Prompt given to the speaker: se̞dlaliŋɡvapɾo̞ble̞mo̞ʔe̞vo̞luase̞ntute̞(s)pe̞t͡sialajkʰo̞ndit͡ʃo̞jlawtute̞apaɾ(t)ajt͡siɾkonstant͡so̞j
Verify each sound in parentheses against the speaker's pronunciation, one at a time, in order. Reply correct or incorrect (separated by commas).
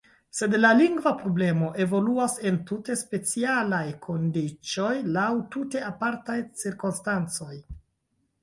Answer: correct, correct